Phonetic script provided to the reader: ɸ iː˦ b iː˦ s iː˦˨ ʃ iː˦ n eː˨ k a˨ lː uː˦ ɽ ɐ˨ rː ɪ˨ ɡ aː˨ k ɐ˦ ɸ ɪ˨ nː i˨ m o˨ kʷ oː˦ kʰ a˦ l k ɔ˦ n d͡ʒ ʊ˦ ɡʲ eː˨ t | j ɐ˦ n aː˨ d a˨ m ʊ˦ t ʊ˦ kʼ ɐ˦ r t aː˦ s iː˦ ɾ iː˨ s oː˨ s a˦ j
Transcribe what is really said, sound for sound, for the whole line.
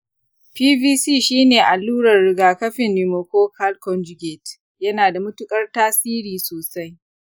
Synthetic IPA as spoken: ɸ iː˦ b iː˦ s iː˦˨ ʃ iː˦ n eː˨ ʔ a˨ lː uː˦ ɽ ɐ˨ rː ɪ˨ ɡ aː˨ k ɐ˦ ɸ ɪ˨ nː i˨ m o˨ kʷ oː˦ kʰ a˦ l k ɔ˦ n d͡ʒ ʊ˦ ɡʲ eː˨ t | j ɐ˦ n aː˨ d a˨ m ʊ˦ t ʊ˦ kʼ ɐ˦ r t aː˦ s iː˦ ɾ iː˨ s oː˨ s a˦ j

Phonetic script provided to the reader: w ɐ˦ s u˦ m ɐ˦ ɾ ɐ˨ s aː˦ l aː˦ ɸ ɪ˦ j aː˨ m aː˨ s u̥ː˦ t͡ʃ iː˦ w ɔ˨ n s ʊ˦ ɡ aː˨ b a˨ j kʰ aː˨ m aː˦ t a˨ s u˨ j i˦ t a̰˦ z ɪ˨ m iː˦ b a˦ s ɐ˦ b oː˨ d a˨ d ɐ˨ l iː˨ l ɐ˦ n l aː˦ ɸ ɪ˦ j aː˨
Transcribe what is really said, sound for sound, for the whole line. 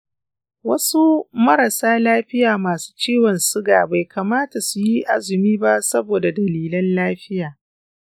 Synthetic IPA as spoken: w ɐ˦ s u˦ m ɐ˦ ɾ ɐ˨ s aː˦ l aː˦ ɸ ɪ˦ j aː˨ m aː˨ s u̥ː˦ t͡ʃ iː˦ w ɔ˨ n s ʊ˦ ɡ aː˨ b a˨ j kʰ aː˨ m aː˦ t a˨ s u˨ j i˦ ʔ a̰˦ z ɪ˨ m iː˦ b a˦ s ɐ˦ b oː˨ d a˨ d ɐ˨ l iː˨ l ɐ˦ n l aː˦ ɸ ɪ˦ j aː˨

